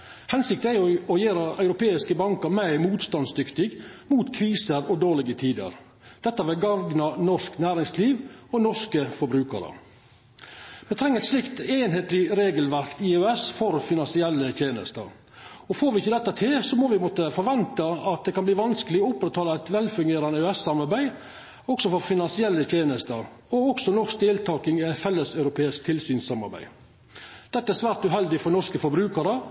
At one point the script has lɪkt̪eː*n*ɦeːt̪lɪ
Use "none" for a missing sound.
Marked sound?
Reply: n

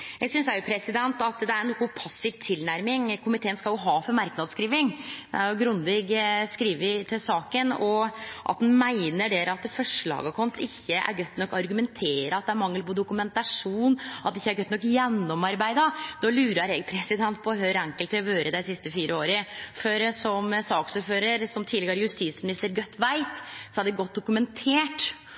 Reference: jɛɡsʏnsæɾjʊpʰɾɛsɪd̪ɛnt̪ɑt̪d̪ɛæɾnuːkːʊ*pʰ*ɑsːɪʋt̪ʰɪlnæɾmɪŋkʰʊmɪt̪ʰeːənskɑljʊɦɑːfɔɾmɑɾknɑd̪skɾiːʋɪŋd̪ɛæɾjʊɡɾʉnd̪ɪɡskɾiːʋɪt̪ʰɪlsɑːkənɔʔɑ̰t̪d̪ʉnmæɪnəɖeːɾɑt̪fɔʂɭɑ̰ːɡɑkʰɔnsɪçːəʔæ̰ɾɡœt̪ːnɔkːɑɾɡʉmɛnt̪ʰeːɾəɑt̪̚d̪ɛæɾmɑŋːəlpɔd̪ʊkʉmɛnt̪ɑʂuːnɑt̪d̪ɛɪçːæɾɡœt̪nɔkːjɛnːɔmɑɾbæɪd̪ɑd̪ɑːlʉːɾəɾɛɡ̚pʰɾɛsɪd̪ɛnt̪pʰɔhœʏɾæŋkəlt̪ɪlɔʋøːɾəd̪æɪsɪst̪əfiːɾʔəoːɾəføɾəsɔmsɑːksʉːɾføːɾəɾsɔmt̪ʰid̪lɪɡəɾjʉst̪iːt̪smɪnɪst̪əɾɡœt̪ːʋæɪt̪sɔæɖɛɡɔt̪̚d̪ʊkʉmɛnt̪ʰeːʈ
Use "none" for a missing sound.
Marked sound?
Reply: pʰ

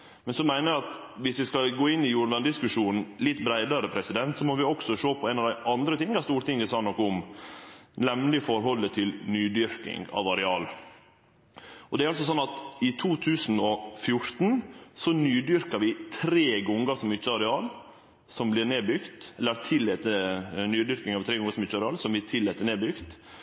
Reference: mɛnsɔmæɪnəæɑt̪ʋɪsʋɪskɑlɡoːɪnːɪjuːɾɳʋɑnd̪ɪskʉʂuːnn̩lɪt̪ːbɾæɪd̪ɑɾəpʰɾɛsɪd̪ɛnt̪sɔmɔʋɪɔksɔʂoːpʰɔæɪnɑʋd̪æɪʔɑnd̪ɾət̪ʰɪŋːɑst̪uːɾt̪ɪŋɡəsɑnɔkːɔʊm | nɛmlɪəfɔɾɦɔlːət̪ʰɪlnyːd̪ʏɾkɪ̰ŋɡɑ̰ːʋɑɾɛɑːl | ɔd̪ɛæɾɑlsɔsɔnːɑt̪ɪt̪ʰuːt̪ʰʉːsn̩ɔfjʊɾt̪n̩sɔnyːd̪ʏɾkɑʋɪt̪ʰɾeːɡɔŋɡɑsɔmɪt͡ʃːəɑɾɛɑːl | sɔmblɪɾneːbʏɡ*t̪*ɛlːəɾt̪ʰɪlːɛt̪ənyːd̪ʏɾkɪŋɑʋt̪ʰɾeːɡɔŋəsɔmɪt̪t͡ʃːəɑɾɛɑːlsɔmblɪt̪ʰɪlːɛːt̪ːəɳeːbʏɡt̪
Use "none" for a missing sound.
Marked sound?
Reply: t̪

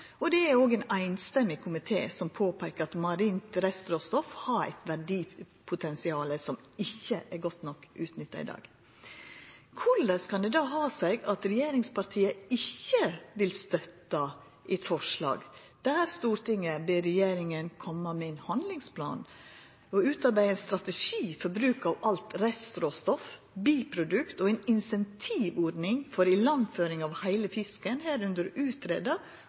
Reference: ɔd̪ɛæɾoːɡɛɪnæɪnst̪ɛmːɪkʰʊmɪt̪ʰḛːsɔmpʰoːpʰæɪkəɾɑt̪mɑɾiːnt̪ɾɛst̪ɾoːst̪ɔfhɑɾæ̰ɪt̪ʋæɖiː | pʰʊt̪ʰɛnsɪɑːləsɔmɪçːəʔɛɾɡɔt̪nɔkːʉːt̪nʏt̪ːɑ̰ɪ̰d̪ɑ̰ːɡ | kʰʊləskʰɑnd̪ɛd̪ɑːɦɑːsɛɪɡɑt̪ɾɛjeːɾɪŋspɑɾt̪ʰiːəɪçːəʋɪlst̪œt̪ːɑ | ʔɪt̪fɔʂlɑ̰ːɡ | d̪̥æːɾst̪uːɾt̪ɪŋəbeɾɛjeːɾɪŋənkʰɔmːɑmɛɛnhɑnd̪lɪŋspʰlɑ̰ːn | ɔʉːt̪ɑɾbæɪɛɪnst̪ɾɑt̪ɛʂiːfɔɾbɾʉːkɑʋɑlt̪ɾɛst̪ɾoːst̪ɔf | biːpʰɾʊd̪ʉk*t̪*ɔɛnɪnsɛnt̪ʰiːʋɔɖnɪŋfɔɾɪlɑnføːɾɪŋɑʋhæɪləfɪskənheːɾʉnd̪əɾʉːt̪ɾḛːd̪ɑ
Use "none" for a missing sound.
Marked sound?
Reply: t̪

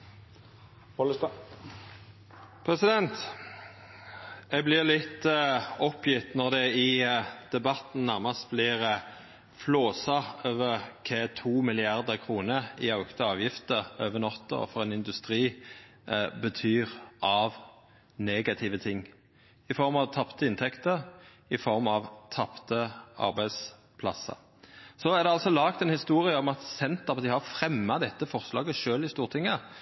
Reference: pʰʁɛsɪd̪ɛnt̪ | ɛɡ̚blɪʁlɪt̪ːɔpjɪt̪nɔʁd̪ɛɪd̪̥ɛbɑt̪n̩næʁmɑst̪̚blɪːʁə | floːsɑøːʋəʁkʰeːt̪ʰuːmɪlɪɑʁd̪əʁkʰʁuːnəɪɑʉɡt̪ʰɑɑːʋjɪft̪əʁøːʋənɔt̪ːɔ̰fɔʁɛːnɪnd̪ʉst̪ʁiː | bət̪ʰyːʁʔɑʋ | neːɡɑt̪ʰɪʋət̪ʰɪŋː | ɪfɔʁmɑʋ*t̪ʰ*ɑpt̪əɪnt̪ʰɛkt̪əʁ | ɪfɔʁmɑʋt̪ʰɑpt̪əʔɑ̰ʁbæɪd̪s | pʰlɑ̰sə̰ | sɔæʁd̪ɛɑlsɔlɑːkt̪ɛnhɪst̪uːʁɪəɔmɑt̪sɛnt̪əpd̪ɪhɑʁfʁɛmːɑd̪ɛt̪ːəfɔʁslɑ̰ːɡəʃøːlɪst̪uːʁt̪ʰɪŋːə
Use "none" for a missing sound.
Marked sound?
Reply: t̪ʰ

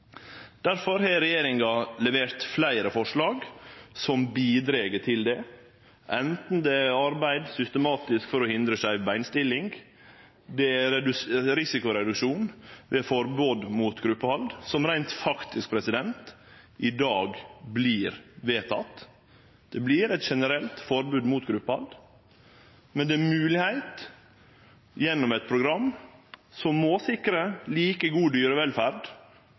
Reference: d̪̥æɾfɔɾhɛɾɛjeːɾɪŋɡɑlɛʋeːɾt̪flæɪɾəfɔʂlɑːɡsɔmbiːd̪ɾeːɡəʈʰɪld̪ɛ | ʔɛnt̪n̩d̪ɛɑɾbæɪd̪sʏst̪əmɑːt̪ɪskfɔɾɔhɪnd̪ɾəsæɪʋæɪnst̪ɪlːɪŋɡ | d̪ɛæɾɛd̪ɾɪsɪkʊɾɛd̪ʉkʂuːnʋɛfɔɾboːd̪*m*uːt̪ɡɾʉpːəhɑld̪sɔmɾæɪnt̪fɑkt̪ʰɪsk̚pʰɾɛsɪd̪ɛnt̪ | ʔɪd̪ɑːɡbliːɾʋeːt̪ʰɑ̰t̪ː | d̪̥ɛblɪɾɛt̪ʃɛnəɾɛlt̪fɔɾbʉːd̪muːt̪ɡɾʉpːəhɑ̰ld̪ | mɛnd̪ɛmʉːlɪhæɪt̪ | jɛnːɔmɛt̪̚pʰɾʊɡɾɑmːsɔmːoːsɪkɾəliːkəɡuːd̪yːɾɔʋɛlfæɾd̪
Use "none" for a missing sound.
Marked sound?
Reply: m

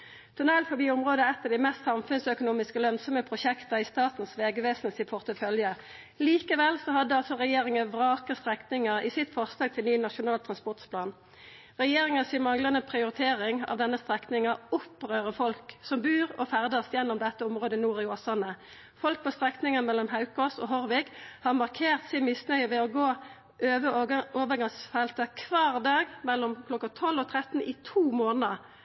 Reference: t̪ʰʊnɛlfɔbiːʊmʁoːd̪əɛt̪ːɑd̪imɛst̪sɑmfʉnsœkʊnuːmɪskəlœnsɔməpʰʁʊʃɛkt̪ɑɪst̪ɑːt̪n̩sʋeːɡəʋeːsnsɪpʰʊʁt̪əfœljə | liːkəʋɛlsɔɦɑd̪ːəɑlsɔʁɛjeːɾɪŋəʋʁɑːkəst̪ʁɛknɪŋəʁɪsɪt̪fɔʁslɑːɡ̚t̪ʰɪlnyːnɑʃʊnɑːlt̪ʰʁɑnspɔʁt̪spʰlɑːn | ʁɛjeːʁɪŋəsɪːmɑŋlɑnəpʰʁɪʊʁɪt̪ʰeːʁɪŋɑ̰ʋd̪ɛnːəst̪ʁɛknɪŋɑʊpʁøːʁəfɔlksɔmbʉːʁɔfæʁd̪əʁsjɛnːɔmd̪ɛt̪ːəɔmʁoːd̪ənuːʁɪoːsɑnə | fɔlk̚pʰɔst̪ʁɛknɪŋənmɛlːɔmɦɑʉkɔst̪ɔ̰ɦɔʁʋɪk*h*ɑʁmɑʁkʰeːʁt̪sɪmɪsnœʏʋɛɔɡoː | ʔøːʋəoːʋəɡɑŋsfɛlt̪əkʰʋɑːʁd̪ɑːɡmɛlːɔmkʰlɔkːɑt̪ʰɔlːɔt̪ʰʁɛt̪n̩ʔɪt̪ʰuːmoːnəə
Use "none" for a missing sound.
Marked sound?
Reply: h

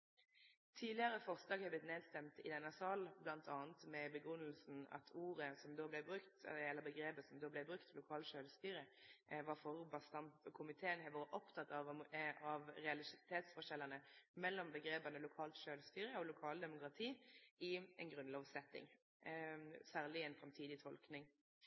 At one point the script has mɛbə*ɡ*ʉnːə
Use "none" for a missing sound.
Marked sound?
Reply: ɡ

